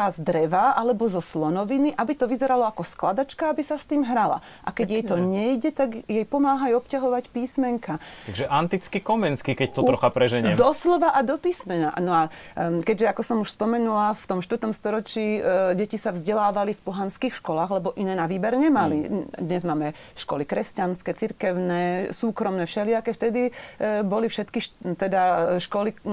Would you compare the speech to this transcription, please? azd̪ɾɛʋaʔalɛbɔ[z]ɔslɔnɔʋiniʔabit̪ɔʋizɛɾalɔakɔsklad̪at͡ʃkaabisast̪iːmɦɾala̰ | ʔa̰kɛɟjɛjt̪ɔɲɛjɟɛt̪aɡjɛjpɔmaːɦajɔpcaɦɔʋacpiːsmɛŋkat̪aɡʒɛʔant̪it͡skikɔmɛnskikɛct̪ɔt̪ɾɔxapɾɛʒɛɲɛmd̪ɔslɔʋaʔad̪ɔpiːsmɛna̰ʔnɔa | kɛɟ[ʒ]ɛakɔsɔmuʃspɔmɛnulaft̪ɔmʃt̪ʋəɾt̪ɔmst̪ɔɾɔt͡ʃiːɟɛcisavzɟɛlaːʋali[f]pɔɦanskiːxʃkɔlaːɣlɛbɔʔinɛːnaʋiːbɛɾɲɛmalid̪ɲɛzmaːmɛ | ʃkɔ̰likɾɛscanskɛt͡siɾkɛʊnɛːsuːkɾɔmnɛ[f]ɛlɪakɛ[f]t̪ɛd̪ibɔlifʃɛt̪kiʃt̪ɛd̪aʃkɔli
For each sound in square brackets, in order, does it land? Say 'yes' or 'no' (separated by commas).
yes, yes, yes, no, yes